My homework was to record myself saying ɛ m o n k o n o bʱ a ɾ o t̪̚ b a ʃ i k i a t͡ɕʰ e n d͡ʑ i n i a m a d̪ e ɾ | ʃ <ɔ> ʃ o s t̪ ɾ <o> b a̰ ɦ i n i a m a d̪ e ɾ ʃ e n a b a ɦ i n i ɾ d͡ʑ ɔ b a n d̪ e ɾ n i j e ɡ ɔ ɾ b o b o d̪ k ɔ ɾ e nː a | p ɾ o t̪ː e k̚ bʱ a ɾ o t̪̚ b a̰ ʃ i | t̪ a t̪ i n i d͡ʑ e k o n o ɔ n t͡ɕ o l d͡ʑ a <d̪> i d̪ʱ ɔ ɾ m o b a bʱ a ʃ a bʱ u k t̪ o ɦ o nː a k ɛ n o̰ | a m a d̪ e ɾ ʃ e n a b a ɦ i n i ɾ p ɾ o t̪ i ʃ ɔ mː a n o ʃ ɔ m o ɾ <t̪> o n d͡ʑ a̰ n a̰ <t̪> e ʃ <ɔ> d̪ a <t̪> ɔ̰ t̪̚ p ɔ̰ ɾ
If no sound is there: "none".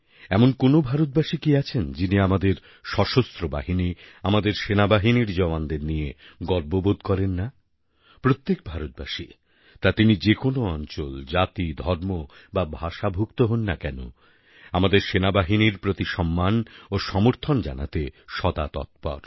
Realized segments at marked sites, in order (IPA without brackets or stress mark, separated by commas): ɔ, o, t̪, t̪ʰ, t̪, ɔ, t̪